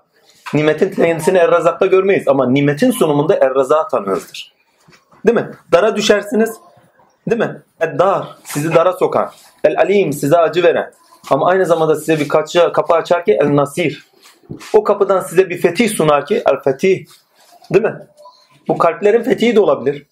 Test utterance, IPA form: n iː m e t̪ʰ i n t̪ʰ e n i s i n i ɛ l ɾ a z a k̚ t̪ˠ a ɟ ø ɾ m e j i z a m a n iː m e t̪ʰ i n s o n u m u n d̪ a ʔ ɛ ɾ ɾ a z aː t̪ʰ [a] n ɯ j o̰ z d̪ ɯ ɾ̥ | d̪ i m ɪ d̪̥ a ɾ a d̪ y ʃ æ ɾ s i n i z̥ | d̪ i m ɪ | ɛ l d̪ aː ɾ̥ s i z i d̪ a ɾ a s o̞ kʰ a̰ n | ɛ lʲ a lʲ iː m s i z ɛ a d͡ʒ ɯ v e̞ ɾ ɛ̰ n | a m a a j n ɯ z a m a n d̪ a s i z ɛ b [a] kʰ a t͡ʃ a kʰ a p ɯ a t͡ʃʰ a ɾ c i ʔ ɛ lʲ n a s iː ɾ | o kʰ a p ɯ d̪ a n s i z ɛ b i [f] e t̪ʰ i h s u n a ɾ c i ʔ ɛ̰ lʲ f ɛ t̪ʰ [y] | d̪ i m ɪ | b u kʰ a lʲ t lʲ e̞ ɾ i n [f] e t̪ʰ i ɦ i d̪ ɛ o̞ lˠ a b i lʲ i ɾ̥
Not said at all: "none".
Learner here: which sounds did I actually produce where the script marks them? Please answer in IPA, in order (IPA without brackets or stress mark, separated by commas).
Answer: a, i, f, i, f